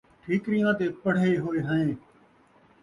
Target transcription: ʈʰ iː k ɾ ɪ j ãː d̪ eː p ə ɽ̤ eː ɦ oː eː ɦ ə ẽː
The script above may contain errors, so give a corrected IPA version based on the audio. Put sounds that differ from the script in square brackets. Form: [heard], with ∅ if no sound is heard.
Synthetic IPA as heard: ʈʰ iː k ɾ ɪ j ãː [t̪] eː p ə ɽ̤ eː ɦ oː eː ɦ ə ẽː